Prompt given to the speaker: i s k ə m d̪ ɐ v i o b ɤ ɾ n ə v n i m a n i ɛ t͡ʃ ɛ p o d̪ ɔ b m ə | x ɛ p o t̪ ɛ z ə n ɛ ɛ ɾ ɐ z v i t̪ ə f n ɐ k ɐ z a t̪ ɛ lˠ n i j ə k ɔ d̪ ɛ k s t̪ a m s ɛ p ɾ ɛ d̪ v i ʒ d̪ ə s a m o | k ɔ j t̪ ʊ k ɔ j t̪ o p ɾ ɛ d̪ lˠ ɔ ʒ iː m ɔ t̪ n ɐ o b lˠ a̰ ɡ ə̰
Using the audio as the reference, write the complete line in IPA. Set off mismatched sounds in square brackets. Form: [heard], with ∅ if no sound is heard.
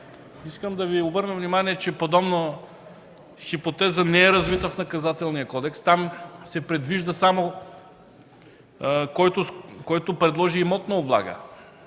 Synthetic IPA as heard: i s k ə m d̪ ɐ v i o b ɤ ɾ n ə v n i m a n i ɛ t͡ʃ ɛ p o d̪ ɔ b [n] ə | x [i] p o t̪ ɛ z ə n ɛ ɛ ɾ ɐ z v i t̪ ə f n ɐ k ɐ z a t̪ ɛ lˠ n i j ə k ɔ d̪ ɛ k s t̪ a m s ɛ p ɾ ɛ d̪ v i ʒ d̪ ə s a m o | k ɔ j t̪ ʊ k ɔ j t̪ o p ɾ ɛ d̪ lˠ ɔ ʒ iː m ɔ t̪ n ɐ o b lˠ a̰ ɡ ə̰